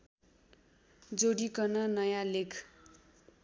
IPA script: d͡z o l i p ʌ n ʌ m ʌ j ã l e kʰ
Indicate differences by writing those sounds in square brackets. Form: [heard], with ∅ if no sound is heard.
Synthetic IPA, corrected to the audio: d͡z o [ɽ] i [k] ʌ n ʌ [n] ʌ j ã l e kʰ

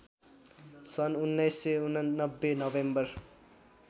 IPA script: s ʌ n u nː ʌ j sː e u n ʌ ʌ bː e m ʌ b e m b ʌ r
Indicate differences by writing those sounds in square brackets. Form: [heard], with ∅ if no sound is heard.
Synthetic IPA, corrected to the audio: s ʌ n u nː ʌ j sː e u n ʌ ʌ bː e [n] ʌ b e m b ʌ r

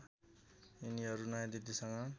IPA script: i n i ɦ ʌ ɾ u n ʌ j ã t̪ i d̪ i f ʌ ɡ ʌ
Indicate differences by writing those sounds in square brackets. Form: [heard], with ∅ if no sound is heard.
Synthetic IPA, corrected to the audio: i n i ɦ ʌ ɾ u n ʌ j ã [d̪] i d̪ i [s] ʌ [ŋ] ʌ

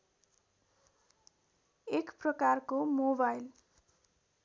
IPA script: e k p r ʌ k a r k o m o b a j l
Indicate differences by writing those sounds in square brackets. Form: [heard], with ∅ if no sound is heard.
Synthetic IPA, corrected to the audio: e k p r ʌ k a r k o m o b a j l

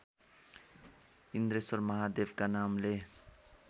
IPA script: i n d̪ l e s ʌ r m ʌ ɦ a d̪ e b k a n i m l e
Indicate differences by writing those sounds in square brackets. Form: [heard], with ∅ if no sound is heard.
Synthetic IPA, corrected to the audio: i n d̪ [ɾ] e s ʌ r m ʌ ɦ a d̪ e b k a n [a] m l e

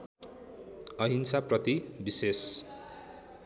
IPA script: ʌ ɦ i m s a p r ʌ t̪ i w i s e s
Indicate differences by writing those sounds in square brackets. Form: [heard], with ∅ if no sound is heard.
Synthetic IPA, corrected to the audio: ʌ ɦ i [n] s a p r ʌ t̪ i [b] i s e s

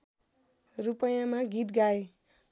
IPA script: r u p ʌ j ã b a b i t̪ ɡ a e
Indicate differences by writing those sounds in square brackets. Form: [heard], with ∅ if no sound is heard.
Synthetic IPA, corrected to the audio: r u p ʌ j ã [m] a [ɡ] i t̪ ɡ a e

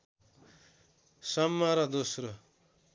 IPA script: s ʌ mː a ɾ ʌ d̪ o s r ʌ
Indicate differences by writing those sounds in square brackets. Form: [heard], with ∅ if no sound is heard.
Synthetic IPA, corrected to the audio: s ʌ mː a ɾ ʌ d̪ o s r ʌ

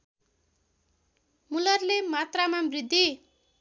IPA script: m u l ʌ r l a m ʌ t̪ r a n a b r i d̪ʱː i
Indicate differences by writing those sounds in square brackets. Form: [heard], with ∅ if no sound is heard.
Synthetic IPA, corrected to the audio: m u l ʌ r l [e] m [a] t̪ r a [m] a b r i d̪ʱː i

